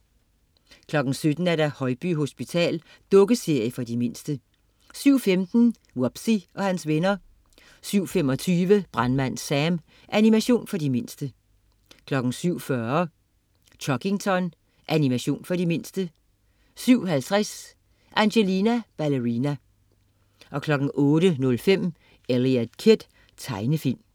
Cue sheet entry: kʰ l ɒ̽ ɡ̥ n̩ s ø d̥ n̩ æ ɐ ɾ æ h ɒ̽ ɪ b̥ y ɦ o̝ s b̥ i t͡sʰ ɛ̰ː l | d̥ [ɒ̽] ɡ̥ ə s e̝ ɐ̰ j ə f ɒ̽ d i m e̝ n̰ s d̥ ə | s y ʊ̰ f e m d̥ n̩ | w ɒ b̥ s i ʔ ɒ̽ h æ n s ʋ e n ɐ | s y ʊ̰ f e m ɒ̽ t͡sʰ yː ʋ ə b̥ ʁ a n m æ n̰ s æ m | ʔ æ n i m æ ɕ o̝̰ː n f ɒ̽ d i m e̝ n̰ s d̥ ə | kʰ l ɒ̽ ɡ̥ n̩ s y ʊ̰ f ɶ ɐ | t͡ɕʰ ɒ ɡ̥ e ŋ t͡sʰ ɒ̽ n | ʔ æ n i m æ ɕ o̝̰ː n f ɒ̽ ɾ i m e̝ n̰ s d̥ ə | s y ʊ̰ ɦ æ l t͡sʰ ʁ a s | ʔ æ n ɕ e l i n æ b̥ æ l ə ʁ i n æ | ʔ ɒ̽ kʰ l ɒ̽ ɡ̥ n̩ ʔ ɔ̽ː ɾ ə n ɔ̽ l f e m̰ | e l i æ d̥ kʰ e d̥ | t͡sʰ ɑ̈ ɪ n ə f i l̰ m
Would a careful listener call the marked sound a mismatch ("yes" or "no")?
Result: yes